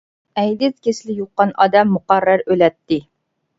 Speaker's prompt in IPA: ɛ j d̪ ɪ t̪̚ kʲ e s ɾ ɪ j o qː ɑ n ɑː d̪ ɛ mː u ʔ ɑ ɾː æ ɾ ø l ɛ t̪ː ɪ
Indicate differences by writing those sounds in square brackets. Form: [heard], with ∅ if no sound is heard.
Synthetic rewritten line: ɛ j d̪ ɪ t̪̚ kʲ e s [l] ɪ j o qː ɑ n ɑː d̪ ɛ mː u [q] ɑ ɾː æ ɾ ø l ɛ t̪ː ɪ

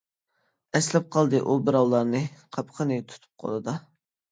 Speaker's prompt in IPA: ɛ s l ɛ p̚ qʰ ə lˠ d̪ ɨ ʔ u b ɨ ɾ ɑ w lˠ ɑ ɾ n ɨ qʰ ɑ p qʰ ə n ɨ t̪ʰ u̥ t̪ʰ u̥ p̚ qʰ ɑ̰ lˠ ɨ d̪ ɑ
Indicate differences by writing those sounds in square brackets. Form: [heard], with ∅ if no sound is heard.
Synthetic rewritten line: ɛ s l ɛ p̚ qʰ [ɑ] lˠ d̪ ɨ ʔ u b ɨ ɾ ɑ w lˠ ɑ ɾ n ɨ qʰ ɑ p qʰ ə n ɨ t̪ʰ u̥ t̪ʰ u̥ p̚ qʰ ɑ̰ lˠ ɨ d̪ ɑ

